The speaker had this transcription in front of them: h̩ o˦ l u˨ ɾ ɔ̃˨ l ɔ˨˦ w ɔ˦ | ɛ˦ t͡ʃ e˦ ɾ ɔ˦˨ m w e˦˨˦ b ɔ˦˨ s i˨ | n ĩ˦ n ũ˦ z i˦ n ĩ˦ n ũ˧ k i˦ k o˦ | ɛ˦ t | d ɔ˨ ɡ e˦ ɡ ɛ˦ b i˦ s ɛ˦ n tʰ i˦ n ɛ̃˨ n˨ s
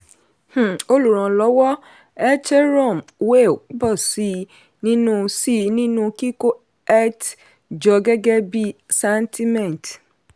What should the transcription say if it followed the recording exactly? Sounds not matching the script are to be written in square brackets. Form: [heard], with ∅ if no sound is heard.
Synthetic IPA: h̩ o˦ l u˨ ɾ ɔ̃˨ l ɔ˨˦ w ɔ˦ | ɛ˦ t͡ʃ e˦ ɾ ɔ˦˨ m w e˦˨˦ b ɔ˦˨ s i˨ | n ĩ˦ n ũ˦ [s] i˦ n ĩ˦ n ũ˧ k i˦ k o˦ | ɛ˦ t | [d͡ʒ] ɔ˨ ɡ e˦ ɡ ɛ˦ b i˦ s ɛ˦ n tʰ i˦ [m] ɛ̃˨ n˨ [t]

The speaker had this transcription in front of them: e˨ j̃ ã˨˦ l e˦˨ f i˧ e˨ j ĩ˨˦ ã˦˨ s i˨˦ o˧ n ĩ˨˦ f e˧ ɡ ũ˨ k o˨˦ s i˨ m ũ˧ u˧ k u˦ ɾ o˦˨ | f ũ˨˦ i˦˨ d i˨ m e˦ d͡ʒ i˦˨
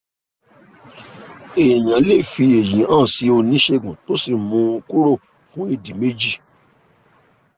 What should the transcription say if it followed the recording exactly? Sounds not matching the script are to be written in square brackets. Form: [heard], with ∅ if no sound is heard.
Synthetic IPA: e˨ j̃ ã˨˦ l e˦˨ f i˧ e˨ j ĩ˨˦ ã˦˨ s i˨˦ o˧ n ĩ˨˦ [ʃ] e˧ ɡ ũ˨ [t] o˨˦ s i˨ m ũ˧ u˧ k u˦ ɾ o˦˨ | f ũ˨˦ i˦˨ d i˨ m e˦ d͡ʒ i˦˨

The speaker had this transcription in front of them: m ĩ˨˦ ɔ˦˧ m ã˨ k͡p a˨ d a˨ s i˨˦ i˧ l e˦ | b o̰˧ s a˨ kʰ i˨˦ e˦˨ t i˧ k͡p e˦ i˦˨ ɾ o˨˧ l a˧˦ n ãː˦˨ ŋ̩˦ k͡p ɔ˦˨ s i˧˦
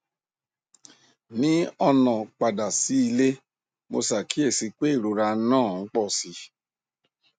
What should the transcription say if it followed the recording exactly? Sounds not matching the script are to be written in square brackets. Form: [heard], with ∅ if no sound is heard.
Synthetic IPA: [n] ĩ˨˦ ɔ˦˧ [n] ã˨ k͡p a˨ d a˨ s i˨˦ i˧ l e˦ | [m] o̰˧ s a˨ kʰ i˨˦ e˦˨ [s] i˧ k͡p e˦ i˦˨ ɾ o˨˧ [ɾ] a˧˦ n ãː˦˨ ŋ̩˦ k͡p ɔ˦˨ s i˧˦

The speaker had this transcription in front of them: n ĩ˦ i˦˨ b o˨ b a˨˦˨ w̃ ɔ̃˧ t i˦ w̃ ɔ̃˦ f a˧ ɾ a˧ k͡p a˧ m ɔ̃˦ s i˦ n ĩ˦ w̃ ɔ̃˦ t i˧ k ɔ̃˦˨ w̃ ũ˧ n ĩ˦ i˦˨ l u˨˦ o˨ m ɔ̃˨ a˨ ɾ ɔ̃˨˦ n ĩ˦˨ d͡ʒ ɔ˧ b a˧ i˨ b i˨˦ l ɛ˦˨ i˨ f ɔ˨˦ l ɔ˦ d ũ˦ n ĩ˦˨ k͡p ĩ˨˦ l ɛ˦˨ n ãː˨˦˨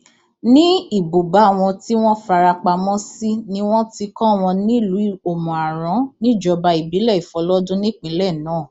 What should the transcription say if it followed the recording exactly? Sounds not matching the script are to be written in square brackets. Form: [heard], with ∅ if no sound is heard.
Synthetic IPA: n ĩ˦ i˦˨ b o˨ b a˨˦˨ w̃ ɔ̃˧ t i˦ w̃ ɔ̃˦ f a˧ ɾ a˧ k͡p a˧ m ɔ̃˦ s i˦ n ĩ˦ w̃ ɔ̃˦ t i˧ k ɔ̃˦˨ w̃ [ɔ̃˧] n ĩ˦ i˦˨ l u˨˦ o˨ m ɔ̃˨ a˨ ɾ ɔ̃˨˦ n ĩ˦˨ d͡ʒ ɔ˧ b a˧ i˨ b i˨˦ l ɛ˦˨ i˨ f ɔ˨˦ l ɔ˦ d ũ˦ n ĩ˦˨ k͡p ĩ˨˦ l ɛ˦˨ n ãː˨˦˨

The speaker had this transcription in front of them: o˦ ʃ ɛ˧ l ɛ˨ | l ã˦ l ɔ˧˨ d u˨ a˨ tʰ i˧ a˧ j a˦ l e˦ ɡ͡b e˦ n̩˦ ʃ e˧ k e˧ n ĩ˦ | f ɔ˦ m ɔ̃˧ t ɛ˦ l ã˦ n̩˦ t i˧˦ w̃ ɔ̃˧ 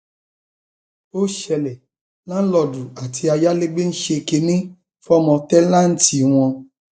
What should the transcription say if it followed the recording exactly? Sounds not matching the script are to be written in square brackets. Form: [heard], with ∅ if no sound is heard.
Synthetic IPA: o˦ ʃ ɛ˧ l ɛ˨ | l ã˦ l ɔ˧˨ d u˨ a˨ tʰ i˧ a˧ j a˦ l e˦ ɡ͡b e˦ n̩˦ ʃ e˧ k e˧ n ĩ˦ | f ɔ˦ m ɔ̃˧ t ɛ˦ l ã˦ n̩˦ t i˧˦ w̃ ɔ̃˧

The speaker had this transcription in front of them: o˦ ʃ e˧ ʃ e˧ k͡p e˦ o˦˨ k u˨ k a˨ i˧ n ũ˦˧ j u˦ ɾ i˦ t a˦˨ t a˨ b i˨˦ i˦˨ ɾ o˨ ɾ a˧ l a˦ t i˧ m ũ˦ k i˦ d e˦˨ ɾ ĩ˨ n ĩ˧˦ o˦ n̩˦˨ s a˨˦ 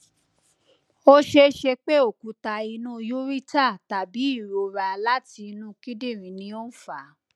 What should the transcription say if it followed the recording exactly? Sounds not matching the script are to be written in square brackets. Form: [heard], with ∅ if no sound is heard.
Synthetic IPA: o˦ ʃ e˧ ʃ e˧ k͡p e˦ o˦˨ k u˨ [t] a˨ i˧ n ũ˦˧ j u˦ ɾ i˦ t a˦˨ t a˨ b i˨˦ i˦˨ ɾ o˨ ɾ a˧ l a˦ t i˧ [n] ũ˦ k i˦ d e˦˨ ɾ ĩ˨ n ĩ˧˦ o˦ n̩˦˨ [f] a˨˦

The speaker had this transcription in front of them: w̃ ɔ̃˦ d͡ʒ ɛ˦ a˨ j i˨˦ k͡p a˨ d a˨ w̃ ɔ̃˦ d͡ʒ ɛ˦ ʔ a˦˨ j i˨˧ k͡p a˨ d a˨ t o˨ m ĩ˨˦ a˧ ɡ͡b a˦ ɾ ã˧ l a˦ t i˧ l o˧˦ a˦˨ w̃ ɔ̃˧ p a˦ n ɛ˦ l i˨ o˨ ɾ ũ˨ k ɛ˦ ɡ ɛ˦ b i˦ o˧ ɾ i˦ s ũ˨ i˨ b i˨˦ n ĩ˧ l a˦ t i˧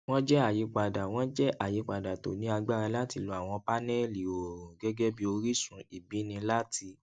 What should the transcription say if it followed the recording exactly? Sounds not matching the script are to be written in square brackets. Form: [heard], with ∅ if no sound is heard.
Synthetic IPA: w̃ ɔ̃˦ d͡ʒ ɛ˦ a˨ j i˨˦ k͡p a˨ d a˨ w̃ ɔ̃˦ d͡ʒ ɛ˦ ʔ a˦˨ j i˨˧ k͡p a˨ d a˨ t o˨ [n] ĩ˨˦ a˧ ɡ͡b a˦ ɾ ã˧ l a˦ t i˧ l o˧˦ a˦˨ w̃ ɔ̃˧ p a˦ n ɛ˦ l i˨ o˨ ɾ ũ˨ [ɡ] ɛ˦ ɡ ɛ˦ b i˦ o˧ ɾ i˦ s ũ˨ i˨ b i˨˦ n ĩ˧ l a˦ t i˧

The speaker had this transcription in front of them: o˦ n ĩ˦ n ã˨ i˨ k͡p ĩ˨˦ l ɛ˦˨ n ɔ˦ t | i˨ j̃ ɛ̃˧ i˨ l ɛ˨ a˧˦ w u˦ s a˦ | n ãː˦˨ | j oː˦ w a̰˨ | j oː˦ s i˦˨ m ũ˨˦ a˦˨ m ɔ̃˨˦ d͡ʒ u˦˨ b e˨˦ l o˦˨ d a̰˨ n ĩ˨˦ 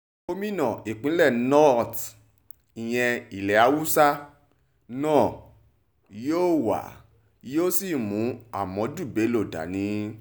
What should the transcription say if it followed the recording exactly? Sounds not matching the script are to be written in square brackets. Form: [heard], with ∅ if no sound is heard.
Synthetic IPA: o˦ [m] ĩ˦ n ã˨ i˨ k͡p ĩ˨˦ l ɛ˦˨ n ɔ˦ t | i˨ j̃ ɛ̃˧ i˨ l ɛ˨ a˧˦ w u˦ s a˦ | n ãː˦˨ | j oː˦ w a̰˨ | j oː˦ s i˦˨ m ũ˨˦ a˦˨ m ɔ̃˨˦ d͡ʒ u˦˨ b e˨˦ l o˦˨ d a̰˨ n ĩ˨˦

